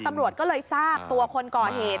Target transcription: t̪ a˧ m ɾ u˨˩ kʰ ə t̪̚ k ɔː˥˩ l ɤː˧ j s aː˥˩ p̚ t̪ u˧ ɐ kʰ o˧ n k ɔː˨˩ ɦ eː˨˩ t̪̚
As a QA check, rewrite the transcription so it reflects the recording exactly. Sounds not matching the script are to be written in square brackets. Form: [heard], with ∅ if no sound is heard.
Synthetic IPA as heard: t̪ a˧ m ɾ u˨˩ [∅] ə t̪̚ k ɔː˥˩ l ɤː˧ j s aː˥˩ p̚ t̪ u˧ ɐ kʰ o˧ n k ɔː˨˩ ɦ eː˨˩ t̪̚